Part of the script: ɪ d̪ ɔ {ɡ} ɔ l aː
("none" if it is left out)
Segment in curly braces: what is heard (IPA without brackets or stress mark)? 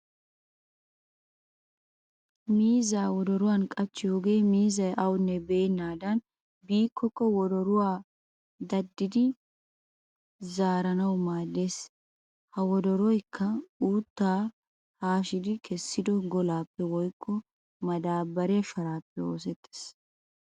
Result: ɡ